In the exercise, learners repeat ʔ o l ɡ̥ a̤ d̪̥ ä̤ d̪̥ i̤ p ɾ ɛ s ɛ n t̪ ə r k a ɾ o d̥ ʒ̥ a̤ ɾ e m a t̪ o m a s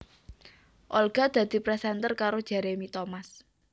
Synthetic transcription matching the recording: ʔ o l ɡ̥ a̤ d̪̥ ä̤ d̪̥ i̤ p ɾ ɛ s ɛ n t̪ ə r k a ɾ o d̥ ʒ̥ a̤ ɾ e m i t̪ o m a s